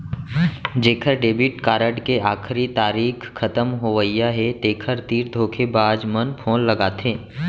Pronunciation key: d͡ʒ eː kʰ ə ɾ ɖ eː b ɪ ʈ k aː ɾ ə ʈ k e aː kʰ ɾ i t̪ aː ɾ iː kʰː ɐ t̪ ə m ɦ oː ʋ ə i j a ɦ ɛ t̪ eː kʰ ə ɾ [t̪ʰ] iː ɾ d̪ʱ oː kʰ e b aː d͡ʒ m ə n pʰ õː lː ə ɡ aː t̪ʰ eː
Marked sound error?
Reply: yes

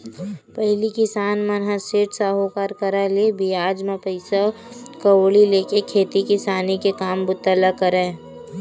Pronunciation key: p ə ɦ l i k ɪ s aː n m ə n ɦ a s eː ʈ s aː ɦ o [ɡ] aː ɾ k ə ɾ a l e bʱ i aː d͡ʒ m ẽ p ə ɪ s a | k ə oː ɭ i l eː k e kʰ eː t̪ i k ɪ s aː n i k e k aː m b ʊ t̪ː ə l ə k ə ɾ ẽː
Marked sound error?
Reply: yes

